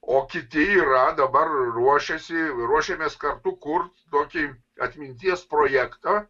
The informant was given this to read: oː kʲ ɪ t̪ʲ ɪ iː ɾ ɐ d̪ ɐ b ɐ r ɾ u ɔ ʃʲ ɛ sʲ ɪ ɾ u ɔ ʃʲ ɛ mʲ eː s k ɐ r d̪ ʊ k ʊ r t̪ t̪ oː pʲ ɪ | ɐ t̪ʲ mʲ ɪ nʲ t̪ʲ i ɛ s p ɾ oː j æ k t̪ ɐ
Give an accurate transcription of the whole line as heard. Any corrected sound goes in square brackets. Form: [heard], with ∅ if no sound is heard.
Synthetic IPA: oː kʲ ɪ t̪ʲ ɪ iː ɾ ɐ d̪ ɐ b ɐ r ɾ u ɔ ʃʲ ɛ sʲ ɪ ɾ u ɔ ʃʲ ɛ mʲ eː s k ɐ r [t̪] ʊ k ʊ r t̪ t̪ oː [kʲ] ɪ | ɐ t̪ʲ mʲ ɪ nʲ t̪ʲ i ɛ s p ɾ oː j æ k t̪ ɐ